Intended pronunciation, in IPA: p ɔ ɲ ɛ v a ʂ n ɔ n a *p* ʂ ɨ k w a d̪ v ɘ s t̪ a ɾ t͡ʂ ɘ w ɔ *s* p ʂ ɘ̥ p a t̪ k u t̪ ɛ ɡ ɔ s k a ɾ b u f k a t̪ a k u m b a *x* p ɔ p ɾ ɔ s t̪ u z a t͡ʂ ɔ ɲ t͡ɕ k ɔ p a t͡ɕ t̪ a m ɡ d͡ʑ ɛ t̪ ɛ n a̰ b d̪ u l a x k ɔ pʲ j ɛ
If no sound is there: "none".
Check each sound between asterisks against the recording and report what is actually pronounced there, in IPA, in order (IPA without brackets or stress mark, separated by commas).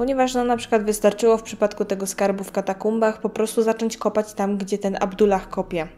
p, f, x